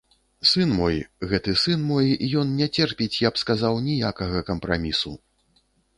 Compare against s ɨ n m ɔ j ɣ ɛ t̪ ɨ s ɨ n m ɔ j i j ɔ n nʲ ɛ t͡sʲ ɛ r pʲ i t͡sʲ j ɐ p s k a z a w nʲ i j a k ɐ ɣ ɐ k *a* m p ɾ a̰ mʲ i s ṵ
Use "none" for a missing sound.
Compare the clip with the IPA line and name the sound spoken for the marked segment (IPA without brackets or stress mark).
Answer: ɐ